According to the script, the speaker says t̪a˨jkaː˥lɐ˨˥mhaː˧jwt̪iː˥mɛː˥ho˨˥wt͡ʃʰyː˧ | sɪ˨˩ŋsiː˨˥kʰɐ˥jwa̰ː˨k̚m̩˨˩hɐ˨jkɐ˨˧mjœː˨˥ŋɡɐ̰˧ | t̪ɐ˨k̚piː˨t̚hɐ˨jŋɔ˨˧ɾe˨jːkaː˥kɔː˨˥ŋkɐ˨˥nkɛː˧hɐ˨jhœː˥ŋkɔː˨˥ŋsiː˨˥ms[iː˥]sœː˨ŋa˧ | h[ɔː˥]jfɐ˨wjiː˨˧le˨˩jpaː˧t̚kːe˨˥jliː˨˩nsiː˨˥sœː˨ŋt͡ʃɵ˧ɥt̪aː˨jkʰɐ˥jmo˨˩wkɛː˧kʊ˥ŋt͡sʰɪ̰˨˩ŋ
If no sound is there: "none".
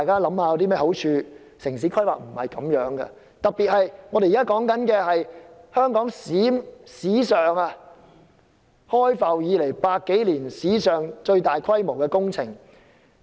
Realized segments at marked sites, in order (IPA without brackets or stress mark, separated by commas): iː˨˥, ɔː˥